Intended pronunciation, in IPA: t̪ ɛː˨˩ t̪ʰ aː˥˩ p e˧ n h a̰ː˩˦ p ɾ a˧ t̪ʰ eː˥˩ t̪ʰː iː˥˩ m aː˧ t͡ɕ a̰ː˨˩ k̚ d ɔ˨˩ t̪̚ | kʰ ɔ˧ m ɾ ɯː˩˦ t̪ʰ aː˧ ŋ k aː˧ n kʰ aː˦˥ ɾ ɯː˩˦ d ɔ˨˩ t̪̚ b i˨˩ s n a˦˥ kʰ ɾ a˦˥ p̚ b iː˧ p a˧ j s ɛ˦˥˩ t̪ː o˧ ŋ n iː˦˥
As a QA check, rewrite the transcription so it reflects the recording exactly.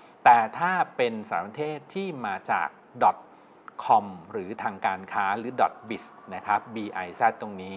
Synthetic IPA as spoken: t̪ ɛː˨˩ t̪ʰ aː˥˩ p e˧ n s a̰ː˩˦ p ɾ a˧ t̪ʰ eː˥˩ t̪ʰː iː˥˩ m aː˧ t͡ɕ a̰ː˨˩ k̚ d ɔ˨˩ t̪̚ | kʰ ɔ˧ m ɾ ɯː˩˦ t̪ʰ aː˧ ŋ k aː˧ n kʰ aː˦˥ ɾ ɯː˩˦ d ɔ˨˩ t̪̚ b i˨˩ s n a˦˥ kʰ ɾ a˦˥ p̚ b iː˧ ʔ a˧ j s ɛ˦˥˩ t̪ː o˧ ŋ n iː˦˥

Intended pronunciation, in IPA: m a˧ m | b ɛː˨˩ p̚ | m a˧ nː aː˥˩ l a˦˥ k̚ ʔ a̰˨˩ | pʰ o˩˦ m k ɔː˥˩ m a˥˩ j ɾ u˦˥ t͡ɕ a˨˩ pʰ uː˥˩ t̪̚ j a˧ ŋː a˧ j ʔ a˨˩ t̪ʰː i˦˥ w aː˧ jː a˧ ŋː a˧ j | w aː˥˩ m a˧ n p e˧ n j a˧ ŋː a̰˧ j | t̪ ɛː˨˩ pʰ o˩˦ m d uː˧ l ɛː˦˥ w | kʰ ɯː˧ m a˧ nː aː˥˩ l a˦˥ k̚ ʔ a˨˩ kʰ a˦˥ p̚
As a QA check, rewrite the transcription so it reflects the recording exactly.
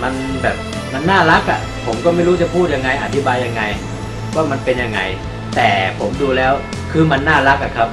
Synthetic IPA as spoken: m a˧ n | b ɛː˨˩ p̚ | m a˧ nː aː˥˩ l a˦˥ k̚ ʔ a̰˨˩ | pʰ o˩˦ m k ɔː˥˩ m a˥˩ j ɾ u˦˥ t͡ɕ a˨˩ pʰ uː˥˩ t̪̚ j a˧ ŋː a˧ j ʔ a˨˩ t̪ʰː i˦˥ b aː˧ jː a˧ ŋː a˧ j | w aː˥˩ m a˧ n p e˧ n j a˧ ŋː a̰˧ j | t̪ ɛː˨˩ pʰ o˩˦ m d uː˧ l ɛː˦˥ w | kʰ ɯː˧ m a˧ nː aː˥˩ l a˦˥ k̚ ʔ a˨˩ kʰ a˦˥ p̚

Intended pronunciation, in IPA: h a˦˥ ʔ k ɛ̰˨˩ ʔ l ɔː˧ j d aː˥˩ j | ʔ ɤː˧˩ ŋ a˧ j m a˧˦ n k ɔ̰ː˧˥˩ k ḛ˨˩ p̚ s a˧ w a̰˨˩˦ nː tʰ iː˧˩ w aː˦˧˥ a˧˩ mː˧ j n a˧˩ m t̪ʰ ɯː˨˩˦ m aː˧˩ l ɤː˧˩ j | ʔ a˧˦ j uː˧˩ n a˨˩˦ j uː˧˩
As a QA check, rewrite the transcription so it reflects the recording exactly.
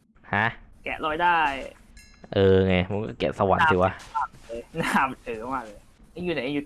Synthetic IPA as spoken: h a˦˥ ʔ k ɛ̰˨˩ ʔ l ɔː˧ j d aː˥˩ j | ʔ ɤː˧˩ ŋ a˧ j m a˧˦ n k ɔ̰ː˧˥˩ k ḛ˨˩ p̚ s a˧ w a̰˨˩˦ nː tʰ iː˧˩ w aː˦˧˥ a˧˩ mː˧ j n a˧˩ m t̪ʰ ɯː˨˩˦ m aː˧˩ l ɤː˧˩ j | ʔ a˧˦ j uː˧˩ n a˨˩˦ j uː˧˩

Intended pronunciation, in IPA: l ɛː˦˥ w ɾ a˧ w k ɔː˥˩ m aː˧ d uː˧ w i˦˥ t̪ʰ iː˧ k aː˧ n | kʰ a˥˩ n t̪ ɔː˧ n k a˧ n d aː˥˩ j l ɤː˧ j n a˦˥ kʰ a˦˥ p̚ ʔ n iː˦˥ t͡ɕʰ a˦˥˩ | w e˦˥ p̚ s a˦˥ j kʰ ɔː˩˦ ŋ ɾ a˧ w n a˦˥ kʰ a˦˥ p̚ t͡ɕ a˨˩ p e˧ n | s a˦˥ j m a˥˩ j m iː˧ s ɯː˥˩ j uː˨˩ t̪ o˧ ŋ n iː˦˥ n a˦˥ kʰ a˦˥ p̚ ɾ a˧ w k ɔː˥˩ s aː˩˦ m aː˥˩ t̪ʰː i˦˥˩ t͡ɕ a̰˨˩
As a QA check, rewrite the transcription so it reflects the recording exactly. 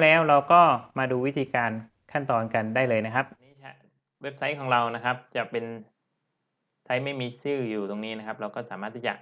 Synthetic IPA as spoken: l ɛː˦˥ w ɾ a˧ w k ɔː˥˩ m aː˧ d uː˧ w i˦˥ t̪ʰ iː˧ k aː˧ n | kʰ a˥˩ n t̪ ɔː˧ n k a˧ n d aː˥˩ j l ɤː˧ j n a˦˥ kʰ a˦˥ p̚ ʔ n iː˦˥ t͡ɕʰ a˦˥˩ | w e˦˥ p̚ s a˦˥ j kʰ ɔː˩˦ ŋ ɾ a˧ w n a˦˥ kʰ a˦˥ p̚ t͡ɕ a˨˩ p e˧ n | s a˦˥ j m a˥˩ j m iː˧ s ɯː˥˩ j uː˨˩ t̪ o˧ ŋ n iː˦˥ n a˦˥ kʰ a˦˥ p̚ ɾ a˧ w k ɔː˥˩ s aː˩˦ m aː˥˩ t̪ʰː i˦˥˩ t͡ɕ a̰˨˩

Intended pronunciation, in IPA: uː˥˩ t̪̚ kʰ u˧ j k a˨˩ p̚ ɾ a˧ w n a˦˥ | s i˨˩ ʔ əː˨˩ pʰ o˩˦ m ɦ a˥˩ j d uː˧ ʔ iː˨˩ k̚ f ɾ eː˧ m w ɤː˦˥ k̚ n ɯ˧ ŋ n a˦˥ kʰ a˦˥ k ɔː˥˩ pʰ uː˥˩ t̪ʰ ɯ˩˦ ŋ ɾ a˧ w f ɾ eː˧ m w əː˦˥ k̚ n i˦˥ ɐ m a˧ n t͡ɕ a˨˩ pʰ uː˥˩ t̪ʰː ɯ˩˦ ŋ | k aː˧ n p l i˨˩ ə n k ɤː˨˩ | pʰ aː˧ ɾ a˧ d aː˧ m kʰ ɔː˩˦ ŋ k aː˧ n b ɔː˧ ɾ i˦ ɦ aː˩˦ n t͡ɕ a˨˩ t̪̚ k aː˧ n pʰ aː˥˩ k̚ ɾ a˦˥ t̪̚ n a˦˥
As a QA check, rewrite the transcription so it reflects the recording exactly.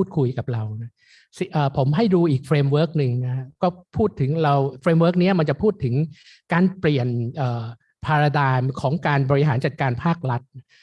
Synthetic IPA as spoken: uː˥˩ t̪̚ kʰ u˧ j k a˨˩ p̚ ɾ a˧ w n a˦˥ | s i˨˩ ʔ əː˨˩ pʰ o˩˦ m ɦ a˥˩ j d uː˧ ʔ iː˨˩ k̚ f ɾ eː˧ m w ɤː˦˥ k̚ n ɯ˧ ŋ n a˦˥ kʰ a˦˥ k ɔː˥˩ pʰ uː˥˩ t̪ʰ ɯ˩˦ ŋ ɾ a˧ w f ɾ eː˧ m w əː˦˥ k̚ n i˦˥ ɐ m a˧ n t͡ɕ a˨˩ pʰ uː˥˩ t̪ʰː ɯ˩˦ ŋ | k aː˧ n p l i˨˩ ə n ʔ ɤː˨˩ | pʰ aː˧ ɾ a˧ d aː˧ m kʰ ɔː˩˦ ŋ k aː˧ n b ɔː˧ ɾ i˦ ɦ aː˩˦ n t͡ɕ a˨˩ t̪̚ k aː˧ n pʰ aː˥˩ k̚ ɾ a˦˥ t̪̚ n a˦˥

